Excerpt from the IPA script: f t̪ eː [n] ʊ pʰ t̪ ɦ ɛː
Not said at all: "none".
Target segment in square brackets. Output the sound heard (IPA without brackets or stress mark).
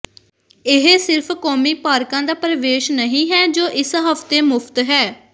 m